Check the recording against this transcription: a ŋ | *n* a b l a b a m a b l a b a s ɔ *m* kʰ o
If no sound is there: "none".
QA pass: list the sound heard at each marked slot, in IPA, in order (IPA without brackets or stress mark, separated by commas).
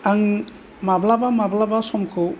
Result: m, m